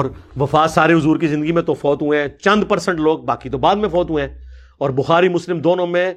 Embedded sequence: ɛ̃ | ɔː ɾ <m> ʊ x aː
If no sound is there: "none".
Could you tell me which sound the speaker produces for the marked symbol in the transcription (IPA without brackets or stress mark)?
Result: b